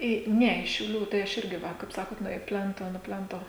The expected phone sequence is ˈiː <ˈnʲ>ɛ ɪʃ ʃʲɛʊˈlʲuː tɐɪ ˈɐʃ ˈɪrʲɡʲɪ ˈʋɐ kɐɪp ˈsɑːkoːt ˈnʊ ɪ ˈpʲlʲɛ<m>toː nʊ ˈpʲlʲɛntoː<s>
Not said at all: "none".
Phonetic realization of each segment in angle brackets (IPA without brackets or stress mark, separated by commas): nʲ, n, none